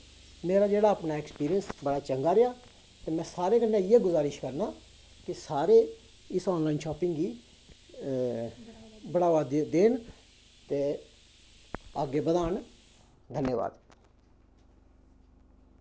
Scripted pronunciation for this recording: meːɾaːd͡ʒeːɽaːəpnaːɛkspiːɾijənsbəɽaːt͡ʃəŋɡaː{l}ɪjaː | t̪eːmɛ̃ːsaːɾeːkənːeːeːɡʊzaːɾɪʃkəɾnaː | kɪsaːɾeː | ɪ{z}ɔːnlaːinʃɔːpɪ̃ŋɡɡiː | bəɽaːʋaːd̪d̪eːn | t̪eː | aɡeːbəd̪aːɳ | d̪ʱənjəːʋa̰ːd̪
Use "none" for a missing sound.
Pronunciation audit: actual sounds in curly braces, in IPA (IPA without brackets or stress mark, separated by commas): ɾ, s